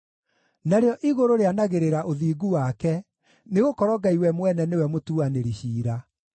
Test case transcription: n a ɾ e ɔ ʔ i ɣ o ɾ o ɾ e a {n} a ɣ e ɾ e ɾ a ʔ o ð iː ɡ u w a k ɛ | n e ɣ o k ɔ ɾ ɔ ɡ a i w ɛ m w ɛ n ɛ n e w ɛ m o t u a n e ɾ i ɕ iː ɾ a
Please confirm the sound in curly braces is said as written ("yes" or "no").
yes